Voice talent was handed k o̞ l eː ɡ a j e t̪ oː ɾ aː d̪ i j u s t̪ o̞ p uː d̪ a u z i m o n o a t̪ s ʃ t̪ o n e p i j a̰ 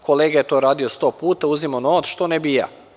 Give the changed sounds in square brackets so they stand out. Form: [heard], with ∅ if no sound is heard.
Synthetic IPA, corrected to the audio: k o̞ l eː ɡ a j e t̪ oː ɾ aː d̪ i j [o] s t̪ o̞ p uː [t̪] a u z i m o n o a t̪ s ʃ t̪ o n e [b] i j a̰